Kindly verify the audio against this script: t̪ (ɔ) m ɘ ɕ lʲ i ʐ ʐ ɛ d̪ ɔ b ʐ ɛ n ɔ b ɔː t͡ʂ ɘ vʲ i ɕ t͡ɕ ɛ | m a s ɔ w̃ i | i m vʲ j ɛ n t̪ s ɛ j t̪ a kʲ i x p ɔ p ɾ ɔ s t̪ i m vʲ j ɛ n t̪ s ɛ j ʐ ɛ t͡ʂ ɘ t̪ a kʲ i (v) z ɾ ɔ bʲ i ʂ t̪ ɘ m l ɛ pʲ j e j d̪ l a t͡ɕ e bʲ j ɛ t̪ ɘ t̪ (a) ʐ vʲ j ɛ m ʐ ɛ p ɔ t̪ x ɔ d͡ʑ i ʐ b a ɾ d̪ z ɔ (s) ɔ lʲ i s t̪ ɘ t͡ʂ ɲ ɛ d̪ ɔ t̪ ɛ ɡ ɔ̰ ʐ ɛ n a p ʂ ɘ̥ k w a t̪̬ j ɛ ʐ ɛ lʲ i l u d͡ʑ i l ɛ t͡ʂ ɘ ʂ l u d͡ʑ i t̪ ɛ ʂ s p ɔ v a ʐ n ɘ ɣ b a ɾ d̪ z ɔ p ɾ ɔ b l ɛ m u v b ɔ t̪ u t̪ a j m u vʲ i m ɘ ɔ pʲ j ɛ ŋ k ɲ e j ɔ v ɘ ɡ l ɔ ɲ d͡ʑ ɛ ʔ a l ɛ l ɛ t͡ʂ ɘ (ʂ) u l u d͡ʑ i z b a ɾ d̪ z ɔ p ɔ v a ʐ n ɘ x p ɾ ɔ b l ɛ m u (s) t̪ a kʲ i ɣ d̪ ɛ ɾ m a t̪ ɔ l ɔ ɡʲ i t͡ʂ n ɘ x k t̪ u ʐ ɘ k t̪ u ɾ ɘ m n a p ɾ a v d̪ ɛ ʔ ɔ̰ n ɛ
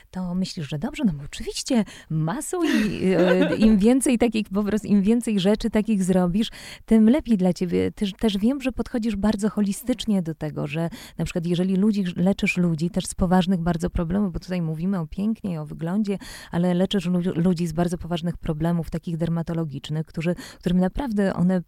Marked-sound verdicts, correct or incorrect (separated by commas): correct, incorrect, incorrect, incorrect, correct, incorrect